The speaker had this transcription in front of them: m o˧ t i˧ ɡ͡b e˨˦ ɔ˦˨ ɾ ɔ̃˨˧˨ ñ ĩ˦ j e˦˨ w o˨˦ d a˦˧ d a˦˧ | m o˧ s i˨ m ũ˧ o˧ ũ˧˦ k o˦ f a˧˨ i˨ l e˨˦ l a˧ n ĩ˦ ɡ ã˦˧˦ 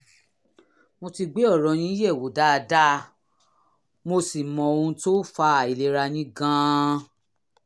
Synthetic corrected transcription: m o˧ t i˧ ɡ͡b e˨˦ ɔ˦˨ ɾ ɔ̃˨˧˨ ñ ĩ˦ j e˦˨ w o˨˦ d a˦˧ d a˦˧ | m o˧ s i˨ m ɔ̃˧ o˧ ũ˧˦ t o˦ f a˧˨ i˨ l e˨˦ ɾ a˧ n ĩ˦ ɡ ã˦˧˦